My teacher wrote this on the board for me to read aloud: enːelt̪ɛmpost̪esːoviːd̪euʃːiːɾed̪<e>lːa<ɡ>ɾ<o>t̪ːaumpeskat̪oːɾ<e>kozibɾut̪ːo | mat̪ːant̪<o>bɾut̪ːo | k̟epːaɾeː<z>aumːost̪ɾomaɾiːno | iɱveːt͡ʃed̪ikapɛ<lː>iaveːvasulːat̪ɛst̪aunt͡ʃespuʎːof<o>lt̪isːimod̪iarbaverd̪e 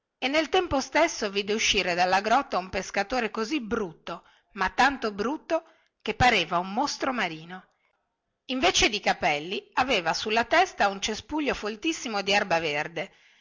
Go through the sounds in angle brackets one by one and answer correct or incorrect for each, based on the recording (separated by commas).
incorrect, correct, incorrect, correct, correct, incorrect, correct, correct